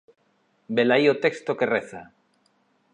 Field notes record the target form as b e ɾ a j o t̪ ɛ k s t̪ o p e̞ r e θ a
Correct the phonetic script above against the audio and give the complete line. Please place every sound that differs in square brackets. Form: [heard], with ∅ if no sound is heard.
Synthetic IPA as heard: b e [l] a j o t̪ [e] k s t̪ o [k] e̞ r e θ a

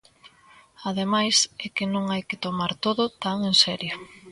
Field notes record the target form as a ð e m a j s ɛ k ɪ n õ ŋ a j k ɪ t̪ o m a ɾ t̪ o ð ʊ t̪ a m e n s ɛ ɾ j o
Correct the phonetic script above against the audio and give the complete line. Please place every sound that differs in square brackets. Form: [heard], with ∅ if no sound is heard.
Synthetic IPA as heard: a ð e m a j s ɛ k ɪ n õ ŋ a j k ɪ t̪ o m a ɾ t̪ o ð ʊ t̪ a [ŋ] e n s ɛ ɾ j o

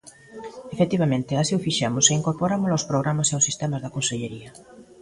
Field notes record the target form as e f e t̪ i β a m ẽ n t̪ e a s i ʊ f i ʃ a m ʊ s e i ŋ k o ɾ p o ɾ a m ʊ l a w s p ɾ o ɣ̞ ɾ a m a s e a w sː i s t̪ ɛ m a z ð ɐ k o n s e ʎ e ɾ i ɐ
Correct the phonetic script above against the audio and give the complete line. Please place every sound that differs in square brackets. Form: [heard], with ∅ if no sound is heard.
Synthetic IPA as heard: e f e t̪ i β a m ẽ n t̪ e a s i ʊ f i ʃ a m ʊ s e i ŋ k o ɾ p o ɾ a m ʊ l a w s p ɾ o ɣ̞ ɾ a m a s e a w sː i s t̪ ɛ m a z ð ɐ k o n s e ʎ e ɾ i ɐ

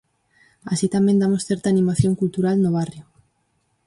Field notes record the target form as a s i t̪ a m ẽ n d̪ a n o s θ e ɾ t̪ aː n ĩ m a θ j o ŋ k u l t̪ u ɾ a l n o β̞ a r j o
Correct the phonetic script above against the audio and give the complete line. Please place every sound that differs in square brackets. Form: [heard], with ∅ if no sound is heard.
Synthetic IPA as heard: a s i t̪ a m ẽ n d̪ a [m] o s θ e ɾ t̪ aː n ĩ m a θ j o ŋ k u l t̪ u ɾ a l n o β̞ a r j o

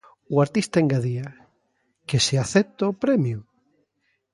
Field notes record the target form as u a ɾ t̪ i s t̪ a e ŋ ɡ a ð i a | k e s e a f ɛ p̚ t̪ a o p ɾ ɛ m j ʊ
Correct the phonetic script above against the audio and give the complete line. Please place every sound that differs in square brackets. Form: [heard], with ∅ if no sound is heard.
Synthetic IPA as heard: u a ɾ t̪ i s t̪ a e ŋ ɡ a ð i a | k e s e a [θ] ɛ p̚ t̪ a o p ɾ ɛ m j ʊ

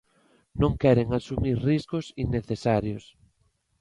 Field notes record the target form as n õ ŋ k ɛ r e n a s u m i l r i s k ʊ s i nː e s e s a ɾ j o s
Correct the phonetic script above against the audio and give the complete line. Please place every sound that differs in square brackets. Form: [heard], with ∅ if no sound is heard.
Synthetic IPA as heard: n õ ŋ k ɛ [ɾ] e [ŋ] a s u m i [ɾ] r i s k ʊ s i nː e [θ] e s a ɾ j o s

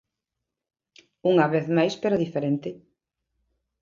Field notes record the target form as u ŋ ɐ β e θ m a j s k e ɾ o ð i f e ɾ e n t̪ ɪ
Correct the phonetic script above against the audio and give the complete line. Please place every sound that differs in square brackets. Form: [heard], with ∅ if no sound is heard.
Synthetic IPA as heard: u ŋ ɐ β e θ m a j s [p] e ɾ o ð i f e ɾ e n t̪ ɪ

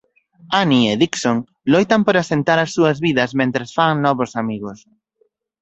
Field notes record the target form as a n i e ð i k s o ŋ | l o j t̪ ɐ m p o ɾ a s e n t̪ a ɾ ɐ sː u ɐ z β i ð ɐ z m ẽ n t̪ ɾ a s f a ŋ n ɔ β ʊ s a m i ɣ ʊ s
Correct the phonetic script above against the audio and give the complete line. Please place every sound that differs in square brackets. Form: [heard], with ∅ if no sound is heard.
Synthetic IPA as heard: a n i e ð i k s o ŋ | l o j t̪ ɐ m p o ɾ a s e n t̪ a ɾ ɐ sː u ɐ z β i ð ɐ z m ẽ n t̪ ɾ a s f a ŋ n ɔ β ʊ s a m i ɣ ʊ s

